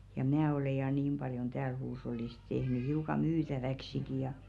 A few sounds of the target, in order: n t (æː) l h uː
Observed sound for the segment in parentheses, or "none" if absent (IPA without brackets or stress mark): æː